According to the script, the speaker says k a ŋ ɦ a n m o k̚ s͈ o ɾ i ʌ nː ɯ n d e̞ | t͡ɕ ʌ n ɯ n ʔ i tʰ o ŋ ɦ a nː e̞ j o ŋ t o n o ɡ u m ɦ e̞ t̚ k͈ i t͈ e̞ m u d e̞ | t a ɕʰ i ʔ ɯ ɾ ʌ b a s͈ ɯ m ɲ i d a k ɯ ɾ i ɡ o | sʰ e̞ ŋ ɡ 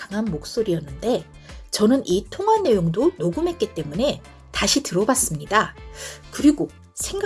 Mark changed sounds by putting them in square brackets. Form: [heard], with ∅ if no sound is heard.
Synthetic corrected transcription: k a ŋ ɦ a n m o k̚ s͈ o ɾ i ʌ nː ɯ n d e̞ | t͡ɕ ʌ n ɯ n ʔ i tʰ o ŋ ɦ a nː e̞ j o ŋ [d] o n o ɡ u m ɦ e̞ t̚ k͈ i t͈ e̞ m u [n] e̞ | t a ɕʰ i [t] ɯ ɾ ʌ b a s͈ ɯ m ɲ i d a k ɯ ɾ i ɡ o | sʰ e̞ ŋ ɡ